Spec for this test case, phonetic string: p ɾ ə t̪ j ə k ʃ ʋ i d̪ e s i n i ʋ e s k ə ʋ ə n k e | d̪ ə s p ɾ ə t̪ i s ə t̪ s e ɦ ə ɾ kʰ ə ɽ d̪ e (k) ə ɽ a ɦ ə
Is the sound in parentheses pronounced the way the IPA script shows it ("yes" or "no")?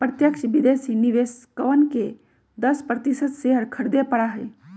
no